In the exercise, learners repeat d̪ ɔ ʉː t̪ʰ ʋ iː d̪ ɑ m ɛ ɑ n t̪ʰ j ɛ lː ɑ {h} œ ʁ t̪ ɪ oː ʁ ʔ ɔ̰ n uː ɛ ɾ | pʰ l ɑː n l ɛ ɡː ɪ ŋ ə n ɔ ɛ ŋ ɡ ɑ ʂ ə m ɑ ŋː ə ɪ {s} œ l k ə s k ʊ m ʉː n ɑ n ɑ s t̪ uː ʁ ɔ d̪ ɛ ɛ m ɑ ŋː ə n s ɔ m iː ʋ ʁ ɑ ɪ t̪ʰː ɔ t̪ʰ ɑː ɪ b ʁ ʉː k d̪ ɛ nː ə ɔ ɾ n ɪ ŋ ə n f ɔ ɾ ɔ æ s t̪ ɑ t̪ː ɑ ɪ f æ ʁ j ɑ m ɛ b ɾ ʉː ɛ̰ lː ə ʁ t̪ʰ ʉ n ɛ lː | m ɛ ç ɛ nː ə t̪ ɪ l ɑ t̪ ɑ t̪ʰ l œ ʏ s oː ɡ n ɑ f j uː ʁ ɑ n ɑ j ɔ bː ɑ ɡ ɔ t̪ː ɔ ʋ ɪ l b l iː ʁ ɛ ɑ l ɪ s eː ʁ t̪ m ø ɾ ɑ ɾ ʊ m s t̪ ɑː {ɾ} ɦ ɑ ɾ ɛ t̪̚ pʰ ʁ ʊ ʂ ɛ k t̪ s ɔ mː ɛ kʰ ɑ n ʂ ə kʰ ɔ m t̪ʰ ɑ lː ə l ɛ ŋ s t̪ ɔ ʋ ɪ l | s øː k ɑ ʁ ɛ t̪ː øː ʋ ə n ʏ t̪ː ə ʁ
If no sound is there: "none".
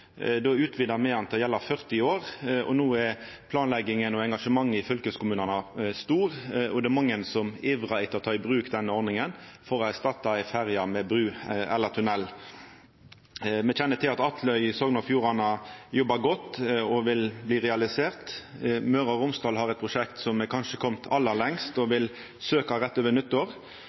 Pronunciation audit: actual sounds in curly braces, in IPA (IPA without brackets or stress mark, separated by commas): f, f, l